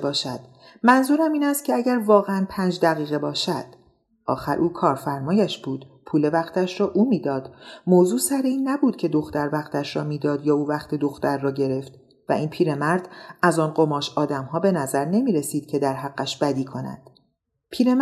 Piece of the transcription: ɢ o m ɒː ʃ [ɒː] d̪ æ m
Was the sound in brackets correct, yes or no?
yes